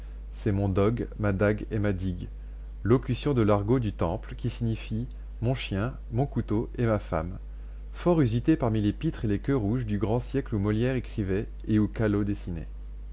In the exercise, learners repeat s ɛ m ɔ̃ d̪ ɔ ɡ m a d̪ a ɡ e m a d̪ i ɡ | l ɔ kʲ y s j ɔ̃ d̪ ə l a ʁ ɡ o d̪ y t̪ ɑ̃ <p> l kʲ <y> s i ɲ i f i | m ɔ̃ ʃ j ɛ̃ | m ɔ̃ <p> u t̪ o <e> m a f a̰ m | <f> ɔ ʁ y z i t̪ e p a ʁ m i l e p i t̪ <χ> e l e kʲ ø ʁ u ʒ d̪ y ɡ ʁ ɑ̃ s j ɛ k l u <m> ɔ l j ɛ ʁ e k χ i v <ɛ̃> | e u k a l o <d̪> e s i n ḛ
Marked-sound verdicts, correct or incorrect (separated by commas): correct, incorrect, incorrect, correct, correct, correct, correct, incorrect, correct